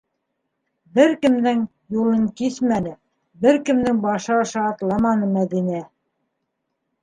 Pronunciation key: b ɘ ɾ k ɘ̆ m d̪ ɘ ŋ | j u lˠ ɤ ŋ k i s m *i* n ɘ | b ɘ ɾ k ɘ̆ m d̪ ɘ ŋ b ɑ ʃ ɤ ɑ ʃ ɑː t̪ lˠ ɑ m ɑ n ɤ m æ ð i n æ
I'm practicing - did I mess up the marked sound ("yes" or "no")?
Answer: yes